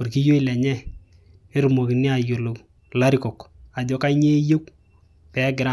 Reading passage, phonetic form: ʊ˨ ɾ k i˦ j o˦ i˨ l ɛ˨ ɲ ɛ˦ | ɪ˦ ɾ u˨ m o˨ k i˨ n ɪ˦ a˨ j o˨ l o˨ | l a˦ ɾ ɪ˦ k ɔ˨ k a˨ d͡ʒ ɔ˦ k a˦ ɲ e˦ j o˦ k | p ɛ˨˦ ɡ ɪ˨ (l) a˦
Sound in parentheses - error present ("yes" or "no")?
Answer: yes